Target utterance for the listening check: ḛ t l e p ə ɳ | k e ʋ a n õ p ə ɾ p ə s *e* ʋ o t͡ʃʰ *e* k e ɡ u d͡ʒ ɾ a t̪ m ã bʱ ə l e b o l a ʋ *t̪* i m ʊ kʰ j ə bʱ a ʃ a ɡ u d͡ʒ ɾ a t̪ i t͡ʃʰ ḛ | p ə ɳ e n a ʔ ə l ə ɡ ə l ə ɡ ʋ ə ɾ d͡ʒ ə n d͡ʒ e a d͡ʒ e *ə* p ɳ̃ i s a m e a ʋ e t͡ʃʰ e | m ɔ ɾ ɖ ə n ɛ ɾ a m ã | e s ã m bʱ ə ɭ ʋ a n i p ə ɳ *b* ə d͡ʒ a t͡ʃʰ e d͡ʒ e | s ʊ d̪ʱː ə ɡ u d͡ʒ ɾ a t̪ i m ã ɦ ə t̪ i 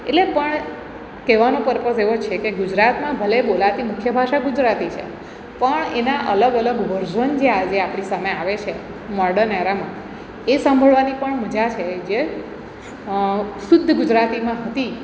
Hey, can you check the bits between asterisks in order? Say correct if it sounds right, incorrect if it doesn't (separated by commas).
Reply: correct, correct, correct, incorrect, incorrect